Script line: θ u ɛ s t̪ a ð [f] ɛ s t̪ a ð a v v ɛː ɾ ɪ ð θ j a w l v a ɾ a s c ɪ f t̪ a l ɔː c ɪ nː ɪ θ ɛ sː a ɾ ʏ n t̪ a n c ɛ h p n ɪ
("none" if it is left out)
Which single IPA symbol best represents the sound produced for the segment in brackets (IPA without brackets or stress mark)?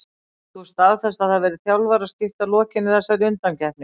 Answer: θ